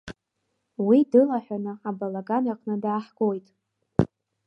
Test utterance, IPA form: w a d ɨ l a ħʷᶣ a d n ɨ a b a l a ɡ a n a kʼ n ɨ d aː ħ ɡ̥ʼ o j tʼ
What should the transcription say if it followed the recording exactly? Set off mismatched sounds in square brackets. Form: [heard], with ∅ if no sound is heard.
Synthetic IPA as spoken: w [i] d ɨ l a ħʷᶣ a [∅] n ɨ a b a l a ɡ a n a [qʼ] n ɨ d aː ħ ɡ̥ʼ o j tʼ